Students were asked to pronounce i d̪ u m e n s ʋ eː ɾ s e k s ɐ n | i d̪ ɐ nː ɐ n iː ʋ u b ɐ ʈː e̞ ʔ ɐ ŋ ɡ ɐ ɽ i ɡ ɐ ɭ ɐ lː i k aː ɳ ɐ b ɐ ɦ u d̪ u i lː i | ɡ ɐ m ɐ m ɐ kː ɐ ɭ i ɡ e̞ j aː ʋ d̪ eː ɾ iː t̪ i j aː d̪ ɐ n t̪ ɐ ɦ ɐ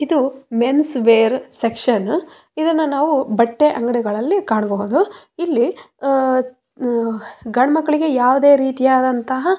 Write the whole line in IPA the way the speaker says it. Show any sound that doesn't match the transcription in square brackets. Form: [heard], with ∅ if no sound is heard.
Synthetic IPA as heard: i d̪ u m e n s ʋ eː ɾ s e k [ʂ] ɐ n | i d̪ ɐ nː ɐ n [aː] ʋ u b ɐ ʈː e̞ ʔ ɐ ŋ ɡ ɐ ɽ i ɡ ɐ ɭ ɐ lː i k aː ɳ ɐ b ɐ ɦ u d̪ u i lː i | ɡ ɐ [ɳ] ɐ m ɐ kː ɐ ɭ i ɡ e̞ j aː ʋ d̪ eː ɾ iː t̪ i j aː d̪ ɐ n t̪ ɐ ɦ ɐ